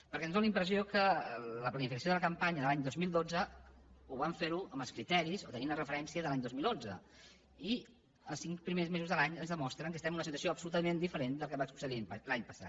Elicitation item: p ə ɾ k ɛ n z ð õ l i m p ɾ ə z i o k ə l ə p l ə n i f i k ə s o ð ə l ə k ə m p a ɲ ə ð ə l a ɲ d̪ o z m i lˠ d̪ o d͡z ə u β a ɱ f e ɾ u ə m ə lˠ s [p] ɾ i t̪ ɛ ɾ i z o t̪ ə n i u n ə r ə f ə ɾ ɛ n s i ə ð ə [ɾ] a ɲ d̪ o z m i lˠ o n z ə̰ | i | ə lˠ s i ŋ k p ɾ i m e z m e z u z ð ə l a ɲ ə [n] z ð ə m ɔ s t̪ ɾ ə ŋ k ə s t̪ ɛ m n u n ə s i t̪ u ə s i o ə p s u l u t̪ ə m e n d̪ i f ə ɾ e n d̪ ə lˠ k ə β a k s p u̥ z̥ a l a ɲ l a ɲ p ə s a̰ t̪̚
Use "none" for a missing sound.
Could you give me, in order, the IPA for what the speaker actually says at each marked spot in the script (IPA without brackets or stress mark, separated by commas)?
k, l, n